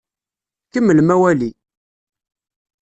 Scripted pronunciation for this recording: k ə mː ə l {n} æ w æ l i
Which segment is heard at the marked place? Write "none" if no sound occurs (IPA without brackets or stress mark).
m